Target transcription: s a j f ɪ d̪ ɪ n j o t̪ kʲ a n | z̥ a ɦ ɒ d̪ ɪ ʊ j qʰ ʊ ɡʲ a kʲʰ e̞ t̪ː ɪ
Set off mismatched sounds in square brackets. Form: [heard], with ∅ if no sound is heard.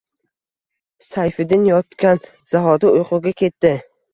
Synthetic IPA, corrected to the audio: s a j f ɪ d̪ ɪ n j [ɒ] t̪ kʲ a n | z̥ a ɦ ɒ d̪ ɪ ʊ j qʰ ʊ ɡʲ a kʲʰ e̞ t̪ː ɪ